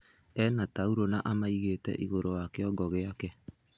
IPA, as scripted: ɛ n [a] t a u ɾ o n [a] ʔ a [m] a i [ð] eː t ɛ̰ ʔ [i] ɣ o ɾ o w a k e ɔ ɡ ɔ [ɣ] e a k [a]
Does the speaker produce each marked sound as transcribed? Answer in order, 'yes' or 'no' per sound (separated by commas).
yes, yes, yes, no, yes, yes, no